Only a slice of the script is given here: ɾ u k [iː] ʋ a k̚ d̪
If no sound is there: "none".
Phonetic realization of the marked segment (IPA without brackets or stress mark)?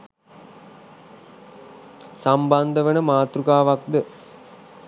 aː